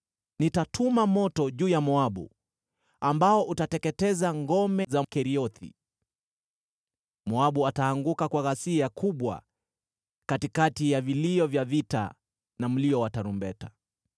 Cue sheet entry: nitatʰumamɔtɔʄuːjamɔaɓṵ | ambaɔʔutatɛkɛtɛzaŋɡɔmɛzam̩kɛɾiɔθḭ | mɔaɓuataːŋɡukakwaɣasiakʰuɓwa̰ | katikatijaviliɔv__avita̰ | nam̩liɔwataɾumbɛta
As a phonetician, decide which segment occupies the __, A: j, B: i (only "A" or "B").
A